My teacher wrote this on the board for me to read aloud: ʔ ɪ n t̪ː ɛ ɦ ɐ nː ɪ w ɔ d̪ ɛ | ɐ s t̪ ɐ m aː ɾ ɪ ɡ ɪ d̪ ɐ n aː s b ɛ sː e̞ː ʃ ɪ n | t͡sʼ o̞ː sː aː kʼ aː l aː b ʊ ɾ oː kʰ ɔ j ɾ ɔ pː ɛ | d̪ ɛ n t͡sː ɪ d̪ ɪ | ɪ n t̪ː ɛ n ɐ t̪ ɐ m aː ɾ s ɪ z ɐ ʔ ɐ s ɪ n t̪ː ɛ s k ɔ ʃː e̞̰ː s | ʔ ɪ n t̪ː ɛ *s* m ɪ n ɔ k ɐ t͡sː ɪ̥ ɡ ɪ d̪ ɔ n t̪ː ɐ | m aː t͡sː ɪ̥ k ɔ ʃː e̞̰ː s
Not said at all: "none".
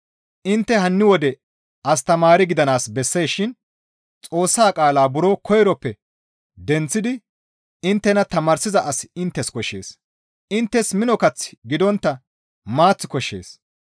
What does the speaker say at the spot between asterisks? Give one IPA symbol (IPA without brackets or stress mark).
s